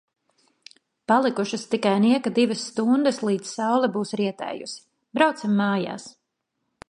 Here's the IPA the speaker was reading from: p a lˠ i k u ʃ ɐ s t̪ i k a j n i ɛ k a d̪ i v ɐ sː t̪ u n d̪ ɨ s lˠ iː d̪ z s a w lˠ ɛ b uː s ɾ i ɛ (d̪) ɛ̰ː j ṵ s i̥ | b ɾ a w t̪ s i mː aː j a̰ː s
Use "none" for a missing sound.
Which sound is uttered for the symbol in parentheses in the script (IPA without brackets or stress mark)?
t̪